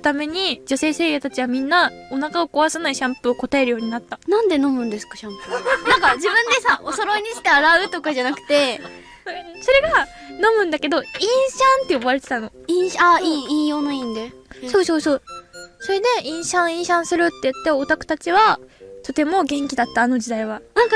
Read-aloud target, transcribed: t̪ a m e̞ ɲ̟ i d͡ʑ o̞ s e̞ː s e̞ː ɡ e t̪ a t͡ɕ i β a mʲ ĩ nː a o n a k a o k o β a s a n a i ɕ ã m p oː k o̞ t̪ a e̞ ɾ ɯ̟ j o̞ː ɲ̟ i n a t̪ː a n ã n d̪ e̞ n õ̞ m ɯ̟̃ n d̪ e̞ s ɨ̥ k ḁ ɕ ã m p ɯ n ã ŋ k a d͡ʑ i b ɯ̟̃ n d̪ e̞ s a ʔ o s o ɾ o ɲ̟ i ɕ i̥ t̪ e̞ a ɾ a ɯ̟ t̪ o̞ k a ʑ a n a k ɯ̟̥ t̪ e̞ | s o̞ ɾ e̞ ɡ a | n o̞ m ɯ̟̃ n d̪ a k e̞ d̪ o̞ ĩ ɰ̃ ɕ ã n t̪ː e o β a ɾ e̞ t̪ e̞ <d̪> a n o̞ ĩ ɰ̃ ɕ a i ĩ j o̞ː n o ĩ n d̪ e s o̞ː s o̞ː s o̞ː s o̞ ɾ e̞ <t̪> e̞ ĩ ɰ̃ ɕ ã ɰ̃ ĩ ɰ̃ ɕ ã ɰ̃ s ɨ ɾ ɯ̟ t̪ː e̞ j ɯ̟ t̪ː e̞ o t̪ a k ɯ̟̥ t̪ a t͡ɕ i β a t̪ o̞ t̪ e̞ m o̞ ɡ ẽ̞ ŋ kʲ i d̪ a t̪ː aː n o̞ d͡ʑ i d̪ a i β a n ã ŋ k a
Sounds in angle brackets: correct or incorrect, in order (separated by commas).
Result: incorrect, incorrect